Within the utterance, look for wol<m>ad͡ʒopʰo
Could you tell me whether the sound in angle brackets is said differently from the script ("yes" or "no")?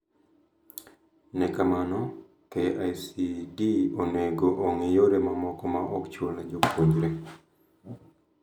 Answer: yes